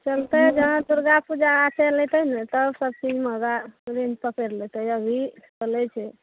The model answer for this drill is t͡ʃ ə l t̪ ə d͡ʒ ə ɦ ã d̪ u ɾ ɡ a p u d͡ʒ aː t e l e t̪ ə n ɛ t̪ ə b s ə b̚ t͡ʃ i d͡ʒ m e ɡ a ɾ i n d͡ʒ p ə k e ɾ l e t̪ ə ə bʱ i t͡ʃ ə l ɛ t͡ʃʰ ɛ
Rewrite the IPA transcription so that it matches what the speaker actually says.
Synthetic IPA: t͡ʃ ə l t̪ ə d͡ʒ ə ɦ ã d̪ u ɾ ɡ a p u d͡ʒ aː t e l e t̪ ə n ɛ t̪ ə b s ə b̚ t͡ʃ i d͡ʒ m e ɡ a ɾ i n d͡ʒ p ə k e ɾ l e t̪ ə ə bʱ i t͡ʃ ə l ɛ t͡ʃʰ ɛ